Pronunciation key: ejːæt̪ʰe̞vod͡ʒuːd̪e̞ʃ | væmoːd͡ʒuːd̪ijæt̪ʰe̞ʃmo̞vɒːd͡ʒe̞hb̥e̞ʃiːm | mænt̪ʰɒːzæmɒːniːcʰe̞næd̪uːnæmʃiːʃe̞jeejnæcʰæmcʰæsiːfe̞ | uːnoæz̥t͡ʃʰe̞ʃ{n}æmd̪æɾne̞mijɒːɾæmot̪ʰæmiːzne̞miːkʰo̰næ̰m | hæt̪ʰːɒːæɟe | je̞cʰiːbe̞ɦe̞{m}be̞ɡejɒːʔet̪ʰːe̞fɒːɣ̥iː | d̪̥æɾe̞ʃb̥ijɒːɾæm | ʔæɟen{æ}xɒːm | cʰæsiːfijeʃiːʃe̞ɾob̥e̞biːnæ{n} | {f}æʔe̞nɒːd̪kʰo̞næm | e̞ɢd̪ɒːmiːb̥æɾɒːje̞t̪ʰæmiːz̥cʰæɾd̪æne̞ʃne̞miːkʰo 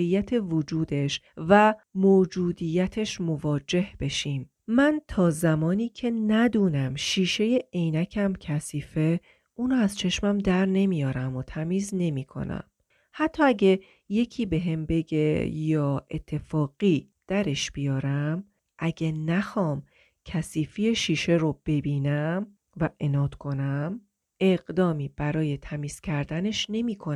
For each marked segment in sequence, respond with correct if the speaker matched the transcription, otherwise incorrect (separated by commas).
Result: incorrect, correct, correct, incorrect, incorrect